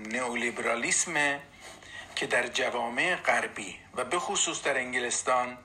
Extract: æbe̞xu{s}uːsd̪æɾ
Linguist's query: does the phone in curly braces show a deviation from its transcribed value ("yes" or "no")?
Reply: no